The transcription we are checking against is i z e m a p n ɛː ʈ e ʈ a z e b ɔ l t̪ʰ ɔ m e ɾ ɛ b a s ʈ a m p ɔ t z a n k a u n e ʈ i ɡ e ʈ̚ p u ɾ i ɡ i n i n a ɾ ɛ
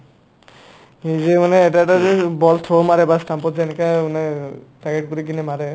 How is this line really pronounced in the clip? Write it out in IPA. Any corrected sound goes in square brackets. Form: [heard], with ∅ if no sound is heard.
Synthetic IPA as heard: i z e m a [∅] n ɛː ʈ [a] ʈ a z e b ɔ l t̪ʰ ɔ m [a] ɾ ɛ b a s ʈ a m p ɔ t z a n k a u n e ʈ [a] ɡ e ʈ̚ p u ɾ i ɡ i n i [m] a ɾ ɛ